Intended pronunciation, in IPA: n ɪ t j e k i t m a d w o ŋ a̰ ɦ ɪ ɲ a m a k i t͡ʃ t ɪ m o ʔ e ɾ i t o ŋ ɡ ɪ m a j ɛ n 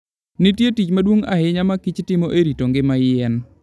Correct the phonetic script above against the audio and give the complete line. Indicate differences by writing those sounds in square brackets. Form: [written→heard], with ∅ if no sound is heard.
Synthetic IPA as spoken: n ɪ t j e [k→t] i [t→t͡ʃ] m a d w o ŋ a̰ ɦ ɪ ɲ a m a k i t͡ʃ t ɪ m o ʔ e ɾ i t o ŋ ɡ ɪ m a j ɛ n

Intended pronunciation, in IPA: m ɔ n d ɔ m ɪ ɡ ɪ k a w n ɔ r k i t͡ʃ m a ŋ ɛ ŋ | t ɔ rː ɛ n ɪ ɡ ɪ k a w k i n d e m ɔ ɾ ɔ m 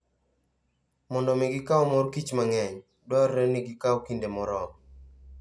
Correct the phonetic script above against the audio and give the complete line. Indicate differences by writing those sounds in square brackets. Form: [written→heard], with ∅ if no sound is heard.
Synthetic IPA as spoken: m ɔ n d ɔ m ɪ ɡ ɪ k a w [n→m] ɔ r k i t͡ʃ m a ŋ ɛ [ŋ→ɲ] | [t→d] ɔ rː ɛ n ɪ ɡ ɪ k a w k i n d e m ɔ ɾ ɔ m

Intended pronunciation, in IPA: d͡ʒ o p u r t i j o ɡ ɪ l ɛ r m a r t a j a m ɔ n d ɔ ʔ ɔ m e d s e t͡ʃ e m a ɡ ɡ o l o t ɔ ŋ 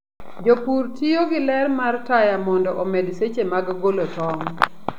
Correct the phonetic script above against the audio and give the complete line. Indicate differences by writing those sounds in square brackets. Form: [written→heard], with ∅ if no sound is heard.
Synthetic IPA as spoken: d͡ʒ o p u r t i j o ɡ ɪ l ɛ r m a r t a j a m ɔ n d ɔ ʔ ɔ m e d s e t͡ʃ e m a ɡ ɡ o l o t ɔ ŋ

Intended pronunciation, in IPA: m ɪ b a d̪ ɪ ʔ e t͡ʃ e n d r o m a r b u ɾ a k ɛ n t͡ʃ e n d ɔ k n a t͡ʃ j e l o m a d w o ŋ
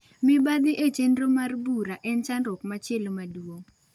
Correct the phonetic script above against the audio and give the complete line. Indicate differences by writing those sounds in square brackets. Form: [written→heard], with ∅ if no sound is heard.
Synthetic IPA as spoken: m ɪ b a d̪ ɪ ʔ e t͡ʃ e n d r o m a r b u ɾ a [k→ʔ] ɛ n t͡ʃ [e→a] n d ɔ k [n→m] a t͡ʃ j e l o m a d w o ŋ

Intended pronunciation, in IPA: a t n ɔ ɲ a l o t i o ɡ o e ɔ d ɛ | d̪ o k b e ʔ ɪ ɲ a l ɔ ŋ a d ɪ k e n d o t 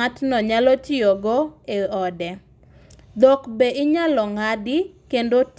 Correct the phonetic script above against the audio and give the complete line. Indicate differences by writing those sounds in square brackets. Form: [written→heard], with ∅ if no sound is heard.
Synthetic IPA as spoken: a t n ɔ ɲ a l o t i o ɡ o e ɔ d ɛ | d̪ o k b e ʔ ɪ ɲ a l ɔ ŋ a d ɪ k e n d o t

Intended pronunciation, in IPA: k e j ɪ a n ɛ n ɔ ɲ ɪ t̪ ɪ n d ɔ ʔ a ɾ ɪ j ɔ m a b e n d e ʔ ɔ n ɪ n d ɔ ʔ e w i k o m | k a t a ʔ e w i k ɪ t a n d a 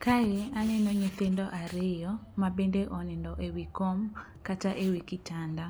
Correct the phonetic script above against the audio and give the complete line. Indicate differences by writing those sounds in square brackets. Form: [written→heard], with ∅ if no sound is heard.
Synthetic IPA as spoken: k [e→a] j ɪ a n ɛ n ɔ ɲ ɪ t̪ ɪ n d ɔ ʔ a ɾ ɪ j ɔ m a b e n d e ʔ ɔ n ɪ n d ɔ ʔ e w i k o m | k a t a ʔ e w i k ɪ t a n d a

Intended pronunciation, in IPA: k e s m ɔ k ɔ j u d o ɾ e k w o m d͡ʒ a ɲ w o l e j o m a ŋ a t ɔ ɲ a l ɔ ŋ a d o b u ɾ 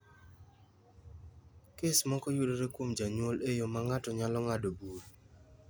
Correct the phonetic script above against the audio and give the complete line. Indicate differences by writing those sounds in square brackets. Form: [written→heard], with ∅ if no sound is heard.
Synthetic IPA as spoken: k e s m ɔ k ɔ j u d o ɾ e k w o m d͡ʒ a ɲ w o l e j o m a ŋ a t ɔ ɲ a l ɔ ŋ a d o b u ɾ

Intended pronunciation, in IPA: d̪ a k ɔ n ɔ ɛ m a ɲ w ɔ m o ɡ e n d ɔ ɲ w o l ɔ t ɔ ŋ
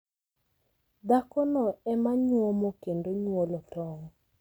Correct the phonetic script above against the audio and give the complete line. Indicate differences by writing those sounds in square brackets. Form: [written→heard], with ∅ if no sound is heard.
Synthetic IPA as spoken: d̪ a k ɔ n ɔ ɛ m a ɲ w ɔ m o [ɡ→k] e n d [ɔ→o] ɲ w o l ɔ t ɔ ŋ

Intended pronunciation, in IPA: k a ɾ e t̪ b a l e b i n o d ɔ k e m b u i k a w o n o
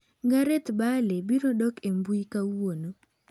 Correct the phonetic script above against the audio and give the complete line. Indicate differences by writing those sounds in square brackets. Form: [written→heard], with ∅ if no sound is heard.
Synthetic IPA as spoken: [k→ɡ] a ɾ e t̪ b a l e b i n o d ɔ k e m b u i k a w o n o

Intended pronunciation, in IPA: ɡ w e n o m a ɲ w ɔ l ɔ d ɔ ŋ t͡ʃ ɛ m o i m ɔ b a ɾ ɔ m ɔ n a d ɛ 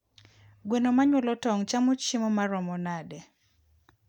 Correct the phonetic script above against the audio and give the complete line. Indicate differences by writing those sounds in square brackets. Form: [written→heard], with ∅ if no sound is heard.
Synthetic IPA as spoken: ɡ w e n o m a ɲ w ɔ l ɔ [d→t] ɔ ŋ t͡ʃ [ɛ→a] m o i m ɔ [b→m] a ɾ ɔ m ɔ n a d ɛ

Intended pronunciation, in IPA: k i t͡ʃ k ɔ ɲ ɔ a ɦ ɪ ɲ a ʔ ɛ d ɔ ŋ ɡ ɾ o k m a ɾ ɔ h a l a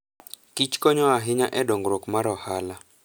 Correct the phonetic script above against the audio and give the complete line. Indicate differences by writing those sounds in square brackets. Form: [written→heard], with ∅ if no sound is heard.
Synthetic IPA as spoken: k i t͡ʃ k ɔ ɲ ɔ a ɦ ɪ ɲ a ʔ ɛ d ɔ ŋ ɡ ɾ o k m a ɾ ɔ h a l a

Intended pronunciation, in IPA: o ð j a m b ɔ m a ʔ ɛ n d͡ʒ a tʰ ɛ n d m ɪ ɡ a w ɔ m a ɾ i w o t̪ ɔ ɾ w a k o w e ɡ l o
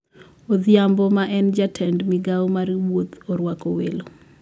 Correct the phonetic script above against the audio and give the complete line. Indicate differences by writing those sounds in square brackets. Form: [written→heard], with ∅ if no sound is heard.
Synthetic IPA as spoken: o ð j a m b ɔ m a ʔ ɛ n d͡ʒ a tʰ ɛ n d m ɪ ɡ a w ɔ m a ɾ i w o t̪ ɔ ɾ w a k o w e [ɡ→∅] l o

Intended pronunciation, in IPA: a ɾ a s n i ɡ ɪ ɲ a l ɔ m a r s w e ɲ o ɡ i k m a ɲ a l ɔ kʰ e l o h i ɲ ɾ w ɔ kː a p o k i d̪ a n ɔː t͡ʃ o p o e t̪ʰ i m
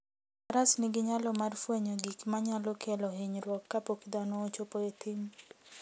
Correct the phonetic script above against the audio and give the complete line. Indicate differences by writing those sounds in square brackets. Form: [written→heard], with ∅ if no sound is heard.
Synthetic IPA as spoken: a ɾ a s n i ɡ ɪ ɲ a l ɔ m a r [s→f] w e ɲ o ɡ i k m a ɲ a l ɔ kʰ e l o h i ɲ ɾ w ɔ kː a p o k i d̪ a n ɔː t͡ʃ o p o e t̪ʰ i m

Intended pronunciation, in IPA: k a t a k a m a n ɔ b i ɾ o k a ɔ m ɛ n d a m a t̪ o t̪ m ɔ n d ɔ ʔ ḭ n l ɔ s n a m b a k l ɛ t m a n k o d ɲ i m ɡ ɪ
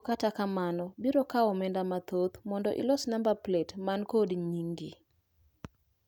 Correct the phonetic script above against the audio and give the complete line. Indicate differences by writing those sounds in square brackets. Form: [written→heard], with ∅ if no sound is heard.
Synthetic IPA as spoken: k a t a k a m a n ɔ b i ɾ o k a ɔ m ɛ n d a m a t̪ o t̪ m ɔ n d ɔ ʔ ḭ [n→∅] l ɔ s n a m b a [k→p] l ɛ t m a n k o d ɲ i [m→ŋ] ɡ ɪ

